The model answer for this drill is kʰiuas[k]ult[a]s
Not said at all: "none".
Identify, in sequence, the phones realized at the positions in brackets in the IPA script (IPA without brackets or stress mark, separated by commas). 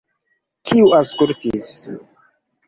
k, i